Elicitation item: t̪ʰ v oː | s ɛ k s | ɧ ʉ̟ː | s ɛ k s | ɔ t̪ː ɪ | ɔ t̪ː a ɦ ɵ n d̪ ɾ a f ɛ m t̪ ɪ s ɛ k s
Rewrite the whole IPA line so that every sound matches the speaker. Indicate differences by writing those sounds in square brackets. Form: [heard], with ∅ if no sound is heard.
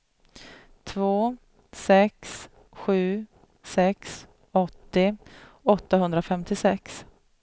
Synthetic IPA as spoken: t̪ʰ v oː | s ɛ k s | ɧ ʉ̟ː | s ɛ k s | ɔ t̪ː ɪ | ɔ t̪ː a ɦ ɵ n d̪ ɾ a f ɛ m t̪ ɪ s ɛ k s